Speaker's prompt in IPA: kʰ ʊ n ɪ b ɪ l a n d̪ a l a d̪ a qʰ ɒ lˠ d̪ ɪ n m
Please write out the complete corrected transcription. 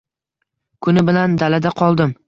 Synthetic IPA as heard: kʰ ʊ n ɪ b ɪ l a n d̪ a l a d̪ a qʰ ɒ lˠ d̪ ɪ m